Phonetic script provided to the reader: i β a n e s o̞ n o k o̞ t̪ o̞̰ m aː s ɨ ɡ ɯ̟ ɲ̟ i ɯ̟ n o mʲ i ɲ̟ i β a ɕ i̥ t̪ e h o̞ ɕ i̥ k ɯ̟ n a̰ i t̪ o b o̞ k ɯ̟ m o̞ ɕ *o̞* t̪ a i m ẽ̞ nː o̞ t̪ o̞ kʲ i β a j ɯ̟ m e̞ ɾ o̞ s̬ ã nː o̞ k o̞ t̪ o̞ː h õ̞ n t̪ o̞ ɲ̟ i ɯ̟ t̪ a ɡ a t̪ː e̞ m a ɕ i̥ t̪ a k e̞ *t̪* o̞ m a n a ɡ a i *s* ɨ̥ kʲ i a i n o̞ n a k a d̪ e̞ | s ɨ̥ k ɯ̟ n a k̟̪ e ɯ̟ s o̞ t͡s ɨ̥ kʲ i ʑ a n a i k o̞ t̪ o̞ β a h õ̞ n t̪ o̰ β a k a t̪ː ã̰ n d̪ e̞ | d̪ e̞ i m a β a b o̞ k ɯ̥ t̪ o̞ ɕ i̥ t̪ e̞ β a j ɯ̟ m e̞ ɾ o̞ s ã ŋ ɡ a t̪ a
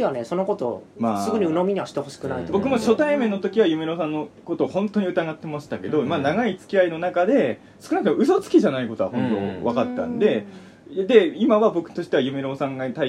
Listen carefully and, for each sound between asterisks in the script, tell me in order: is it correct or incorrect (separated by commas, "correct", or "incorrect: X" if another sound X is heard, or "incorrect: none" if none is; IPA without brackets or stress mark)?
correct, incorrect: d̪, incorrect: t͡s